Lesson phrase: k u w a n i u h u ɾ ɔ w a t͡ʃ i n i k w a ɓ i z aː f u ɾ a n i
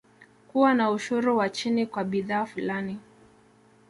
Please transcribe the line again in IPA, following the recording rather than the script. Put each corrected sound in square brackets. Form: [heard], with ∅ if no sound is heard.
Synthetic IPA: k u w a n [a] u [ʃ] u ɾ [u] w a t͡ʃ i n i k w a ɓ i [ð] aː f u [l] a n i